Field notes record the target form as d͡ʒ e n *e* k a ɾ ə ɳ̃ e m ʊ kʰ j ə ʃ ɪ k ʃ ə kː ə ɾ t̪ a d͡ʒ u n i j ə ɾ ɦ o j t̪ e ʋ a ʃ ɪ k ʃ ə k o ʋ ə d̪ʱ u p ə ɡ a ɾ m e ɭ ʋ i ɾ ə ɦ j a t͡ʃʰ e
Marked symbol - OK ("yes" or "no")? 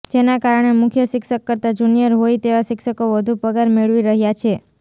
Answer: no